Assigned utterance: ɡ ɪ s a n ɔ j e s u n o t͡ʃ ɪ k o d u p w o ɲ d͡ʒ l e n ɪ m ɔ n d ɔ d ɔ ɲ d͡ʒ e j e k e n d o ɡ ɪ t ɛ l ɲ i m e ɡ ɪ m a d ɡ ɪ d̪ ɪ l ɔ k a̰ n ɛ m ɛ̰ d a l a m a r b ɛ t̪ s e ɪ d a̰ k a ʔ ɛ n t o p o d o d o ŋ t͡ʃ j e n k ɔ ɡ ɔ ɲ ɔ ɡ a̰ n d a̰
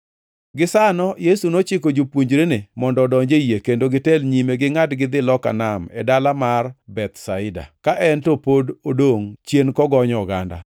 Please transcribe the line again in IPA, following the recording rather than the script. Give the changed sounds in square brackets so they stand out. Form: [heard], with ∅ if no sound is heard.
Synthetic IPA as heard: ɡ ɪ s a n ɔ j e s u n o t͡ʃ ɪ k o [d͡ʒ] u p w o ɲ d͡ʒ [ɾ] e n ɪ m ɔ n d ɔ d ɔ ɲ d͡ʒ e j e k e n d o ɡ ɪ t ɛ l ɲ i m e ɡ ɪ [ŋ] a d ɡ ɪ d̪ ɪ l ɔ k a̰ n [a] m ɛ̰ d a l a m a r b ɛ t̪ s [a] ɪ d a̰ k a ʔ ɛ n t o p o d o d o ŋ t͡ʃ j e n k ɔ ɡ ɔ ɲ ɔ ɡ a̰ n d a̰